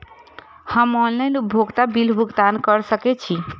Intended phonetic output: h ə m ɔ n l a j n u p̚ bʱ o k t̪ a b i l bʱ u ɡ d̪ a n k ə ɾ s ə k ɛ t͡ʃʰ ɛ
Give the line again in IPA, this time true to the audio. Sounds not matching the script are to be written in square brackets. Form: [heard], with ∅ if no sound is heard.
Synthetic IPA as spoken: h ə m ɔ n l a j n u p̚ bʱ o [ɡ] t̪ a b i l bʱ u ɡ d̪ a n k ə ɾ s ə k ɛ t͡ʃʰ [i]